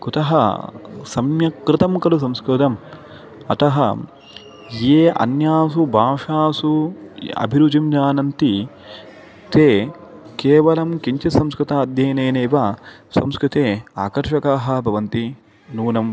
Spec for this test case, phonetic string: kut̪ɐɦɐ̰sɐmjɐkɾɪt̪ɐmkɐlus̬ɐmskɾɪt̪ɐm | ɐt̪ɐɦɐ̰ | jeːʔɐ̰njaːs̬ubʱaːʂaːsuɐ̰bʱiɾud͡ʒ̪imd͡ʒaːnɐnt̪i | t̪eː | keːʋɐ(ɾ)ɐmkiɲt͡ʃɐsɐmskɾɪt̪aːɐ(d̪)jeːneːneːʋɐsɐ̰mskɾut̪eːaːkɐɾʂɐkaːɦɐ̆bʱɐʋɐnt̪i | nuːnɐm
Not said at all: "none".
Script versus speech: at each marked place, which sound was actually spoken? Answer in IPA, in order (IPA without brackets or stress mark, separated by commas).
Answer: l, d̪